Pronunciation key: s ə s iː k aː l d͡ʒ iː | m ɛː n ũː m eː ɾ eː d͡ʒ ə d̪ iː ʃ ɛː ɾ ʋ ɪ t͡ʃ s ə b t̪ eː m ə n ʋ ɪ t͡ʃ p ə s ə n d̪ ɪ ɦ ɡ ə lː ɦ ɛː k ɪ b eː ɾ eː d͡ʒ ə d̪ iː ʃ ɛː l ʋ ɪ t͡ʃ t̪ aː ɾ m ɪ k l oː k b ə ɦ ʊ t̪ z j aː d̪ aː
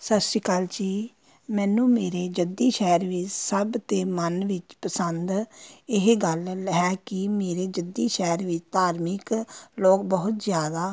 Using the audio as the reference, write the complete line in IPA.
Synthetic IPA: s ə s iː k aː l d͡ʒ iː | m ɛː n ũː m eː ɾ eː d͡ʒ ə d̪ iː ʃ ɛː ɾ ʋ ɪ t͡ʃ s ə b t̪ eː m ə n ʋ ɪ t͡ʃ p ə s ə n d̪ ɪ ɦ ɡ ə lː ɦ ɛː k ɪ m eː ɾ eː d͡ʒ ə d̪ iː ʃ ɛː ɾ ʋ ɪ t͡ʃ t̪ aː ɾ m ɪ k l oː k b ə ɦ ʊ t̪ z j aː d̪ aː